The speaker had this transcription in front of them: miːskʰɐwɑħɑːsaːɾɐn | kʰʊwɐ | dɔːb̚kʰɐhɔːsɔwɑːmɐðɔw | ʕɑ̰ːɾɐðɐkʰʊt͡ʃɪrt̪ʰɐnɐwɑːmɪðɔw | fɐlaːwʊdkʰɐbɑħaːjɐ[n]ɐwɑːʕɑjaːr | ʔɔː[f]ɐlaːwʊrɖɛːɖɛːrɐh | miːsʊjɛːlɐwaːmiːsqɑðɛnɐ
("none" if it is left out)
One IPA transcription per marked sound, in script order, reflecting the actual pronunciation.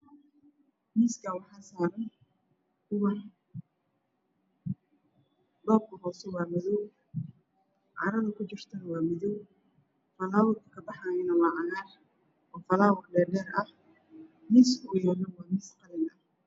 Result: n, f

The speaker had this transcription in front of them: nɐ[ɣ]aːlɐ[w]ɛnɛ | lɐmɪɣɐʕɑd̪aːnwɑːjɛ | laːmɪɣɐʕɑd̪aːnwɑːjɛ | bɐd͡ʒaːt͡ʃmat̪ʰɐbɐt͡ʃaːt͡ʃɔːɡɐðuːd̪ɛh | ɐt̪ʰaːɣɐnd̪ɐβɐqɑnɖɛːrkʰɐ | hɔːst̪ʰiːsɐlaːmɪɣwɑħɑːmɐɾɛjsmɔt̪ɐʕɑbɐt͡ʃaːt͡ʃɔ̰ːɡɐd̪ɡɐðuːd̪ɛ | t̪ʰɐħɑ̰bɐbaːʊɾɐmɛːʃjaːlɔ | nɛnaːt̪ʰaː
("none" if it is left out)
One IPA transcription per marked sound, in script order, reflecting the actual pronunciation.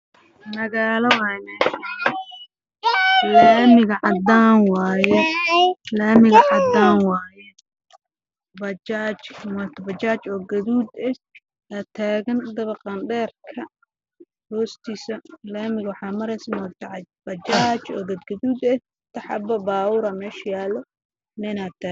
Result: ɣ, w

